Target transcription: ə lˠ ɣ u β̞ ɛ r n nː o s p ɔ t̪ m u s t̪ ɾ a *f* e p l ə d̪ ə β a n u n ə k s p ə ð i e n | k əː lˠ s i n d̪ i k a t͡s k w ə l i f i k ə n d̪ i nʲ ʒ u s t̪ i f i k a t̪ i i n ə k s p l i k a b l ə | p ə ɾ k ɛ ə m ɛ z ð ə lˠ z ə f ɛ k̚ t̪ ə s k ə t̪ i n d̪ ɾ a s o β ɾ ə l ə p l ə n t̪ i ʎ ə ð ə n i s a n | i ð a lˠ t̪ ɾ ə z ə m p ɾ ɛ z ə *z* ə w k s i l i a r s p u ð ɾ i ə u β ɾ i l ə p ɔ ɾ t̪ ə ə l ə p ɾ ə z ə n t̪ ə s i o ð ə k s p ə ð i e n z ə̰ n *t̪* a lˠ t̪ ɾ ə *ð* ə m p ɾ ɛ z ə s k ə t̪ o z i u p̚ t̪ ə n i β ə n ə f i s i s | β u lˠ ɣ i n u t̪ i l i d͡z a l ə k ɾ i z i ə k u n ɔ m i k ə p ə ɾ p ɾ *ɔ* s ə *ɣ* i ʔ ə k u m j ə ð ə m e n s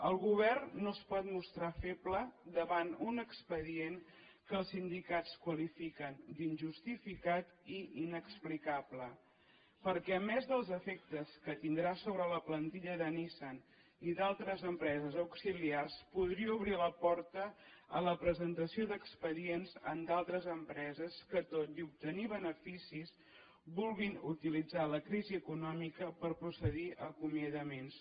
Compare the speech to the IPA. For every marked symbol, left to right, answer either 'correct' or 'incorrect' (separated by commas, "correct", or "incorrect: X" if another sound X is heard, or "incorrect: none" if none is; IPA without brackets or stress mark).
correct, correct, incorrect: d̪, incorrect: z, incorrect: u, incorrect: ð